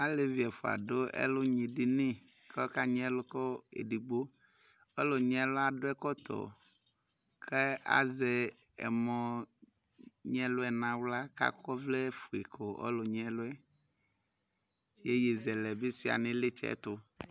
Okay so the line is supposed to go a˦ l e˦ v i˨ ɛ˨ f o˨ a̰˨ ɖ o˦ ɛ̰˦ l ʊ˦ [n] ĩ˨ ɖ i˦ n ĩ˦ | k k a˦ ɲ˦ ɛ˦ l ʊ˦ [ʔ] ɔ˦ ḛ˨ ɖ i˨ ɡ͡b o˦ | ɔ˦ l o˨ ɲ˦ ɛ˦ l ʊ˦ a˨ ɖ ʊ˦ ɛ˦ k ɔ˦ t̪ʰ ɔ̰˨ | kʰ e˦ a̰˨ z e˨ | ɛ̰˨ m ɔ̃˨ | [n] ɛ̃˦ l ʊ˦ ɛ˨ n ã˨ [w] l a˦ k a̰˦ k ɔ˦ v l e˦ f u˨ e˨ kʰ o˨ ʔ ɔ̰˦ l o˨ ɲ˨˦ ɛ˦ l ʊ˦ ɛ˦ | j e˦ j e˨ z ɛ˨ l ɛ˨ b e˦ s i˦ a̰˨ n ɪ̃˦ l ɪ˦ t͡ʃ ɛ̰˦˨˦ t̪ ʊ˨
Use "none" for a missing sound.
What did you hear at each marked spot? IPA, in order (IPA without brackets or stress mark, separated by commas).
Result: ɲ, k, ɲ, w